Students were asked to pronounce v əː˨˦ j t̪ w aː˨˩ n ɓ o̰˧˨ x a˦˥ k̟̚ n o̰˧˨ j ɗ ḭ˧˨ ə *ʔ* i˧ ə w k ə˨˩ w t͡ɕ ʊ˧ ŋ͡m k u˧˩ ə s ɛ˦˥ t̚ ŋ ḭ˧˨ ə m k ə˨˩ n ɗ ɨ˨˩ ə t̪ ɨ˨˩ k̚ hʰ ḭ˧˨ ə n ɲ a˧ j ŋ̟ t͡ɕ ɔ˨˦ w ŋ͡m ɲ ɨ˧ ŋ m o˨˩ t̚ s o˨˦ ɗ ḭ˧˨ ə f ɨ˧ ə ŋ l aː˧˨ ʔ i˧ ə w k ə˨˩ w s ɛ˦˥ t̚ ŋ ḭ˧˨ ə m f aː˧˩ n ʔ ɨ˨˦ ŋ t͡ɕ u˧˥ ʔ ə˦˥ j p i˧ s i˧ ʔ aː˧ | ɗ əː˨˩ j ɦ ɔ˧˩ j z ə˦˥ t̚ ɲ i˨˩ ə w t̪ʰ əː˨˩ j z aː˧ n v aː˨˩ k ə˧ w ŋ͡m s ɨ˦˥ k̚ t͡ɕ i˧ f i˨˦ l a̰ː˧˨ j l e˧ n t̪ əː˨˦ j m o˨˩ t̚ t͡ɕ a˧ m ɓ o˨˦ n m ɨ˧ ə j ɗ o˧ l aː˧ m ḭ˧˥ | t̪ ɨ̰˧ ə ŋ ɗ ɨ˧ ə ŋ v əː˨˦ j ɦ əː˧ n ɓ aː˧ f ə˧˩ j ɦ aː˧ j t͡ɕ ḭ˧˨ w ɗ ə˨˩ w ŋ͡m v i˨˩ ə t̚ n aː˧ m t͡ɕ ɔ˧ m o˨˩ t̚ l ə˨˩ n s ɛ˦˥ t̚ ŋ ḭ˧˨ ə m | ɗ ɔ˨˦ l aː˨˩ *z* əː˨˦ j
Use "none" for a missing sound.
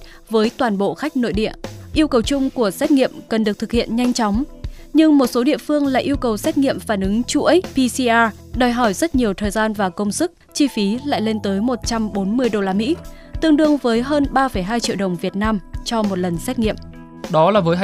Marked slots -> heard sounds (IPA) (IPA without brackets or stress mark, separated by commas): ʔ, v